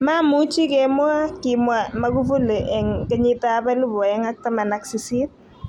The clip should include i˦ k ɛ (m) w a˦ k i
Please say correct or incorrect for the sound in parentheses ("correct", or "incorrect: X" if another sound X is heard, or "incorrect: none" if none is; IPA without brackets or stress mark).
correct